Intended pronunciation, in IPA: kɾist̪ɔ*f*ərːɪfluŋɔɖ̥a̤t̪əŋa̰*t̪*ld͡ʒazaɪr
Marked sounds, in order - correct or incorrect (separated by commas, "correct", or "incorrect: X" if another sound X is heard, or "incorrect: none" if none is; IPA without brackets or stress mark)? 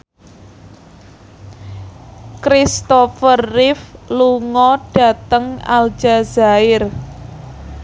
correct, incorrect: none